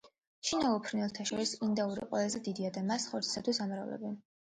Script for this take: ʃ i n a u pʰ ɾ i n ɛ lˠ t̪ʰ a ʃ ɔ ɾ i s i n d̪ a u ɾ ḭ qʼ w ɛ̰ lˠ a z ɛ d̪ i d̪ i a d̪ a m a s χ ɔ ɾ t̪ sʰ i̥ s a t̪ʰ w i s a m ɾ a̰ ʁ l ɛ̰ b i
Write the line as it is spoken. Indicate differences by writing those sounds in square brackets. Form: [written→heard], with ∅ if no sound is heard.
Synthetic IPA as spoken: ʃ i n a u pʰ ɾ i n ɛ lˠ t̪ʰ a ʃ ɔ ɾ i s i n d̪ a u ɾ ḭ qʼ w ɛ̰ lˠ a z ɛ d̪ i d̪ i a d̪ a m a s χ ɔ ɾ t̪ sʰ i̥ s a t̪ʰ w i s a m ɾ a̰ [ʁ→v] l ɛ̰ b i